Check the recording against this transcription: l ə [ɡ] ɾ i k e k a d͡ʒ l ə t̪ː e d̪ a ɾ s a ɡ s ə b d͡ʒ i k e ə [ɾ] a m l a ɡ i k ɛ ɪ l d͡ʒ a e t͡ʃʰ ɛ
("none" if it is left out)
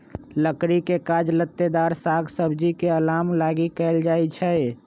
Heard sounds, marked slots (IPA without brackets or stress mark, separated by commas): k, l